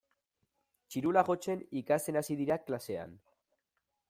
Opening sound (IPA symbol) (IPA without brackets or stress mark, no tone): t͡ʃ